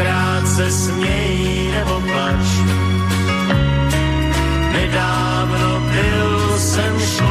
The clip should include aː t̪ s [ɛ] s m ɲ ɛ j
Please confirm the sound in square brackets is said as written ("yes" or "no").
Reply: yes